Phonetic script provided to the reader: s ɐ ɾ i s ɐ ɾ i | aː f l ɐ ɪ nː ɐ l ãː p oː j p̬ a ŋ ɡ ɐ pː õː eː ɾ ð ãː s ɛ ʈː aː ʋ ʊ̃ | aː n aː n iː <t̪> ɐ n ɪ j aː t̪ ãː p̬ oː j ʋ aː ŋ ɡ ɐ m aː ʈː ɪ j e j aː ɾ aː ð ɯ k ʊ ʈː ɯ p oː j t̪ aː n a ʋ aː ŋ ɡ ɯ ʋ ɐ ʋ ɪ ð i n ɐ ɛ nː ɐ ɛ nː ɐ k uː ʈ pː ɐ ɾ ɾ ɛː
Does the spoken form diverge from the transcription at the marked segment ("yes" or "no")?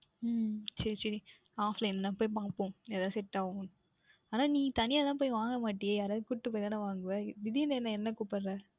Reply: no